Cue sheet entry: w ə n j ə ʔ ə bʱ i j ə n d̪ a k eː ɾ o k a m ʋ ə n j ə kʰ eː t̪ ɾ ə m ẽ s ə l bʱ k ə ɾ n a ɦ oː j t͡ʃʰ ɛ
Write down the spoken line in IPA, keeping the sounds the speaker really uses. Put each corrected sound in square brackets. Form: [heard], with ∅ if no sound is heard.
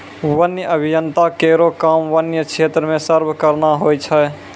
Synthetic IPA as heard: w ə n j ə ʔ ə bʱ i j ə n [t̪] a k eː ɾ o k a m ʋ ə n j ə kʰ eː t̪ ɾ ə m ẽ s ə [ɾ] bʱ k ə ɾ n a ɦ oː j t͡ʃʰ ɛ